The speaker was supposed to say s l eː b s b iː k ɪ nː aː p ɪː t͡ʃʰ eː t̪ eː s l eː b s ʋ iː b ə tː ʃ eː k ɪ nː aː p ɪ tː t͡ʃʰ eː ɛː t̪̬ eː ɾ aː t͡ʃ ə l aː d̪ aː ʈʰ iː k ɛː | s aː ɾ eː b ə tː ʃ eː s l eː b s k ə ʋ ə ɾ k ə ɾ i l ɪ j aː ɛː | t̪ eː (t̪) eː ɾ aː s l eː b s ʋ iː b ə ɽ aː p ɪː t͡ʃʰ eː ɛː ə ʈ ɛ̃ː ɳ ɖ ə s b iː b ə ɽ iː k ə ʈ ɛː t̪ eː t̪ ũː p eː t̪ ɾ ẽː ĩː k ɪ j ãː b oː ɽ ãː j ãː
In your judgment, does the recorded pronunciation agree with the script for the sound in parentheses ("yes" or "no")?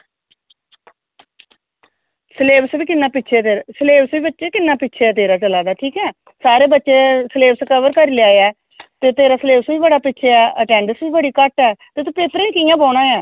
yes